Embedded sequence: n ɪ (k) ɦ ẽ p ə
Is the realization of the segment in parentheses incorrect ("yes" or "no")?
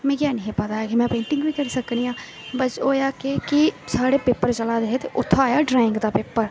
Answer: yes